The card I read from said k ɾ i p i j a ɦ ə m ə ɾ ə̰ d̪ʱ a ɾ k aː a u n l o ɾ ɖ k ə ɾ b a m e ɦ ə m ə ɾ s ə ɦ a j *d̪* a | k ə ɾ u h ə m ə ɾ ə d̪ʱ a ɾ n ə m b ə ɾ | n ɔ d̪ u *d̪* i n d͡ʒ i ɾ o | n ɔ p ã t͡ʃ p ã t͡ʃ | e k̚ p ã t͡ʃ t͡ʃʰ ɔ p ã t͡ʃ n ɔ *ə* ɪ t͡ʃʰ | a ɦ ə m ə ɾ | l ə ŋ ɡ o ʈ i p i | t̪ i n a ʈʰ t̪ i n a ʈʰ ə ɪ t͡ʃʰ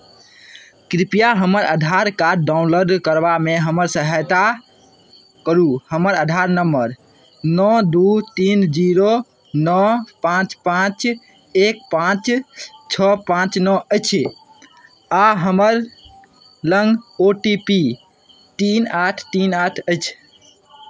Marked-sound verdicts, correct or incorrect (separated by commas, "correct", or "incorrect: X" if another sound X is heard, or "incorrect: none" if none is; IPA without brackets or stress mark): incorrect: t̪, incorrect: t̪, correct